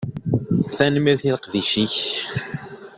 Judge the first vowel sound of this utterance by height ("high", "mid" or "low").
low